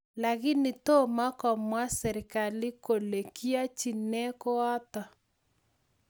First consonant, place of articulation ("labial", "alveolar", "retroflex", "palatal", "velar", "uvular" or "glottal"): alveolar